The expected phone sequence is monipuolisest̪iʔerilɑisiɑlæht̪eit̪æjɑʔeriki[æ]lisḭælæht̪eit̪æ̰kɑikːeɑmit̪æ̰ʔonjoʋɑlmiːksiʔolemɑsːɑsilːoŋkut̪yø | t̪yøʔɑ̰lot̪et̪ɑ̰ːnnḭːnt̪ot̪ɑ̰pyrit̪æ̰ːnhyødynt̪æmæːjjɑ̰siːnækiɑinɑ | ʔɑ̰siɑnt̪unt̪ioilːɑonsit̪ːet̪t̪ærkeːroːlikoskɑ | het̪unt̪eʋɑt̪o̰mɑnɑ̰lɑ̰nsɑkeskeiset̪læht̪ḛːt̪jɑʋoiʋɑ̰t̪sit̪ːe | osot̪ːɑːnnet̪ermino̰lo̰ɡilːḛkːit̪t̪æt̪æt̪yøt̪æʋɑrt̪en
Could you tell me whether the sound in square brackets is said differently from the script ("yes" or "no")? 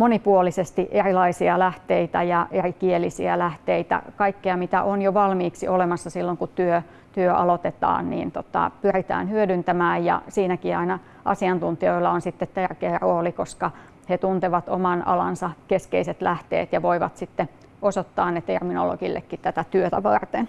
yes